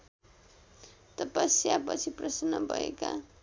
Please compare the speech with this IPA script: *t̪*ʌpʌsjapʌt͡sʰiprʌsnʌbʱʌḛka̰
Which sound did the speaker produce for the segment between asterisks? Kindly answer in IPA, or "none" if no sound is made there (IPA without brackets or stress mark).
t̪